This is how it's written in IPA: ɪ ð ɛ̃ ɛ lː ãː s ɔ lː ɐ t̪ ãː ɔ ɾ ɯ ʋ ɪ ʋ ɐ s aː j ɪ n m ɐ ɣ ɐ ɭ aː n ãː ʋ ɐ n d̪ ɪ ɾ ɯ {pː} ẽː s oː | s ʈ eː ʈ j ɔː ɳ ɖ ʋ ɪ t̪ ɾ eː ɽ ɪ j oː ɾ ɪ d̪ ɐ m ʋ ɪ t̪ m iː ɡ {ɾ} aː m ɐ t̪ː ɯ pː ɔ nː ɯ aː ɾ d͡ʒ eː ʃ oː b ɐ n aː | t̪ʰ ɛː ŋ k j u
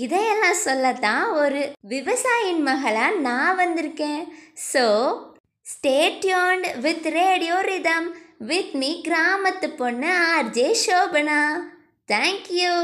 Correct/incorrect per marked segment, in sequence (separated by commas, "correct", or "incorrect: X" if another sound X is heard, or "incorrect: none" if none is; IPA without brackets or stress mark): incorrect: kː, correct